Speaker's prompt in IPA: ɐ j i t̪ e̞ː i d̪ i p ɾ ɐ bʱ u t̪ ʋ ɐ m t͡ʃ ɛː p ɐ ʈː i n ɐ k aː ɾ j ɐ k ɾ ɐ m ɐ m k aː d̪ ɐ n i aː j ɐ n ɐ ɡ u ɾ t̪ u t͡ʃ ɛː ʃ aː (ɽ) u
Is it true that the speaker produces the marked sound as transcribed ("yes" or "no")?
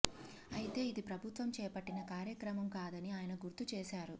no